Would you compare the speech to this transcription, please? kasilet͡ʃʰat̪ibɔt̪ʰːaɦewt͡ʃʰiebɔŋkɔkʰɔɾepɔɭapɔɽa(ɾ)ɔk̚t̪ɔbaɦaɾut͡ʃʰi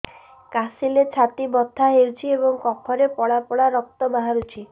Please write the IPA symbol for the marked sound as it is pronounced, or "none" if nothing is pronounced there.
ɾ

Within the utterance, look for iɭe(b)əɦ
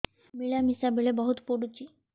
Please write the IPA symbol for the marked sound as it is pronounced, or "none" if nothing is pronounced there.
b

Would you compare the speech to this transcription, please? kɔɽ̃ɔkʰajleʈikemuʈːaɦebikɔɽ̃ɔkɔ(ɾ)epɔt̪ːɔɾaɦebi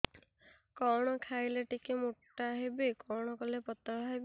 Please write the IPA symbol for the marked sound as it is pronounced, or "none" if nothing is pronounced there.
l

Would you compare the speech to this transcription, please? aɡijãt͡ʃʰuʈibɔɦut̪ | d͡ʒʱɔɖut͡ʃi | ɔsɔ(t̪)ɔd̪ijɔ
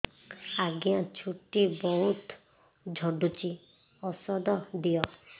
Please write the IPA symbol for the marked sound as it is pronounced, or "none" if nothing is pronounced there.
d̪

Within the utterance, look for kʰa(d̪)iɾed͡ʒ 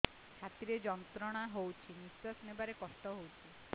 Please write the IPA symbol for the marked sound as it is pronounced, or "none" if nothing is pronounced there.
t̪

